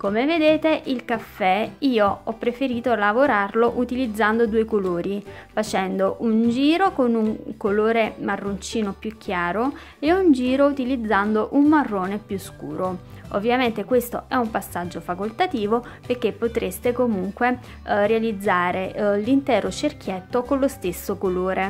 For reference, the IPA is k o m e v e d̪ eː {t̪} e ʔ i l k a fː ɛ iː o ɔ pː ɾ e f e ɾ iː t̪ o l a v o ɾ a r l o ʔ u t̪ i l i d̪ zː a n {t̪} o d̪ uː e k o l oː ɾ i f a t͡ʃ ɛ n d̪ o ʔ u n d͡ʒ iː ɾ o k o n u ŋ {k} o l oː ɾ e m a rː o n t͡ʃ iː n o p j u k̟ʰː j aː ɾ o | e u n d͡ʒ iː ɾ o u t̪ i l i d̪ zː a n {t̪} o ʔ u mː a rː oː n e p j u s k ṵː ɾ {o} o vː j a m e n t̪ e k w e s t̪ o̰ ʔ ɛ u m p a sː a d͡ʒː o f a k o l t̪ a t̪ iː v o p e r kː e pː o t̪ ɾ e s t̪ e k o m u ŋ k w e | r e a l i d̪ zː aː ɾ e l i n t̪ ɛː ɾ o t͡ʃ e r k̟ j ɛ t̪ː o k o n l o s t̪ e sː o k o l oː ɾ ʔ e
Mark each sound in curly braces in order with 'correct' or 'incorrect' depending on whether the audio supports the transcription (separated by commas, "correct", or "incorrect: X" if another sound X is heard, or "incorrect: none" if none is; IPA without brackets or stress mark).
correct, incorrect: d̪, correct, incorrect: d̪, correct